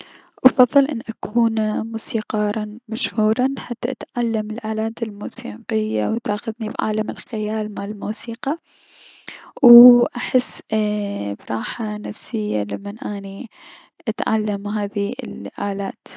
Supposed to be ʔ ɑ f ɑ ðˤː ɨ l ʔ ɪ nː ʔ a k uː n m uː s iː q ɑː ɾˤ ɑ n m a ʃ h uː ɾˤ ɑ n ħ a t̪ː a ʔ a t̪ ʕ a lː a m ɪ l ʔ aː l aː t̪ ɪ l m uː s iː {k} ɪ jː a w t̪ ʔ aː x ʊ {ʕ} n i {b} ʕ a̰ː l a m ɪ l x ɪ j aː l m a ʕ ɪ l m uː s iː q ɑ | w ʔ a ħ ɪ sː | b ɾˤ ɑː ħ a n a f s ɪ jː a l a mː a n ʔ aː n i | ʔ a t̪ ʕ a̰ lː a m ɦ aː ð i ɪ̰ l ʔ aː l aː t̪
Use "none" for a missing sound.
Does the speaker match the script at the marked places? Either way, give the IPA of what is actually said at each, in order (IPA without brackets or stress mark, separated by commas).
q, ð, b